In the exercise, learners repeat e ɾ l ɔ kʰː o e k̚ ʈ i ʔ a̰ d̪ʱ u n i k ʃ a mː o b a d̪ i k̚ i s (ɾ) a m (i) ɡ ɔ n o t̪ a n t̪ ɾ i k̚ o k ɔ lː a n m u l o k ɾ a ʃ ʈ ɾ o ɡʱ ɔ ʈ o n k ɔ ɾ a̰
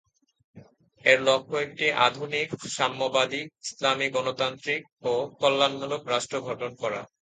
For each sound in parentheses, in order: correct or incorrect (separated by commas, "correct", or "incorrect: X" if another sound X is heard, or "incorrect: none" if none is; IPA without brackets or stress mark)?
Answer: incorrect: l, correct